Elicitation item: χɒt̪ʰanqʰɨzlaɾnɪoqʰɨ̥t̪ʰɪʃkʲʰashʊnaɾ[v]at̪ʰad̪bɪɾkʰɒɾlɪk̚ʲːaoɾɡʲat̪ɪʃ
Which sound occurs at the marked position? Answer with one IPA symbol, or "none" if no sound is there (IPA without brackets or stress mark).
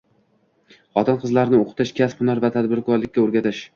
v